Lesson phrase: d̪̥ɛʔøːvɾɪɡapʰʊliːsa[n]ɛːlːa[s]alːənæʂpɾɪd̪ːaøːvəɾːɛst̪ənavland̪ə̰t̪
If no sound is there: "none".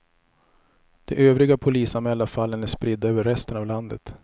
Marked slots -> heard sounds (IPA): m, f

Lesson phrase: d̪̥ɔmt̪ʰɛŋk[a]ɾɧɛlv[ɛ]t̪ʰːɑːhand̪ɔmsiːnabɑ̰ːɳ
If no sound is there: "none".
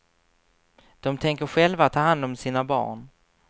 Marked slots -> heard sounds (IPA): ə, a

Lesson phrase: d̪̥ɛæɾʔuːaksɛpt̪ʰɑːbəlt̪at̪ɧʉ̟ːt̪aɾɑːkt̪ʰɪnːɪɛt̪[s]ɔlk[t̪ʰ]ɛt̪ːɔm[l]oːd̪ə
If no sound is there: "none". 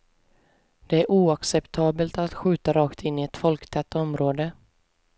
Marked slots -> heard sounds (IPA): f, t̪ʰ, ɾ

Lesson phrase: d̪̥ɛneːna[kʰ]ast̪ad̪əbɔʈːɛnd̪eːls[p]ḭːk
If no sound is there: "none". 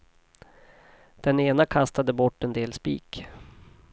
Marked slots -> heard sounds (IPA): kʰ, p

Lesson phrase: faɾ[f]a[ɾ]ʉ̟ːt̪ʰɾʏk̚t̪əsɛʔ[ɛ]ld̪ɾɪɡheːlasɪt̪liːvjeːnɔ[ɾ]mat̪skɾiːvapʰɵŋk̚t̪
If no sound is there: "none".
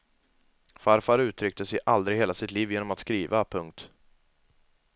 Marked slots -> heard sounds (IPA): f, ɾ, a, none

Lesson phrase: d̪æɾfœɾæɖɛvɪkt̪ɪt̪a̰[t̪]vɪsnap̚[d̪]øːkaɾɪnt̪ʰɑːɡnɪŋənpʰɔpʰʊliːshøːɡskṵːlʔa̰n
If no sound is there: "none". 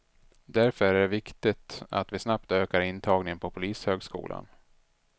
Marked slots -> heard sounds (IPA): t̪, t̪

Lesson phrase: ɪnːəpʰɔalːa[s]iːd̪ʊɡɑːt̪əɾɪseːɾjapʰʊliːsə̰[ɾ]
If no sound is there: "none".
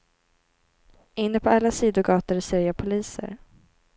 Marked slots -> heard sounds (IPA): s, ɾ

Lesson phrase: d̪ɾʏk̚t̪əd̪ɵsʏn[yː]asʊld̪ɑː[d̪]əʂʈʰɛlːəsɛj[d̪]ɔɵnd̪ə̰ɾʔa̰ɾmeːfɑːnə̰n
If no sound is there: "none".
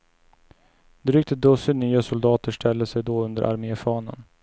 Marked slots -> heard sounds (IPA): yː, t̪, d̪

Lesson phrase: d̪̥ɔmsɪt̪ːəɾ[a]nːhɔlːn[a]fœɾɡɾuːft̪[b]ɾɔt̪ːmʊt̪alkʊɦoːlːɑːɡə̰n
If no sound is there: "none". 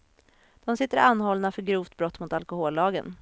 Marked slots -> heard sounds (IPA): a, a, b

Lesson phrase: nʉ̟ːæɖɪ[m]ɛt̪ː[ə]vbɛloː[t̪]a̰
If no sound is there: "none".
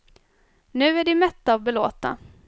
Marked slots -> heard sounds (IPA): m, a, t̪

